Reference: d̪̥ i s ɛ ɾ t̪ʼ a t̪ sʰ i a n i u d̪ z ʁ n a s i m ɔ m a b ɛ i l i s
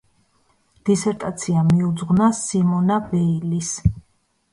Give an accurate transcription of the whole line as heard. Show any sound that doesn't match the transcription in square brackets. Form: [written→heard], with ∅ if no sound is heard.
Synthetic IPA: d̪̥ i s ɛ ɾ t̪ʼ a t̪ sʰ i a [n→m] i u d̪ z ʁ n a s i m ɔ [m→n] a b ɛ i l i s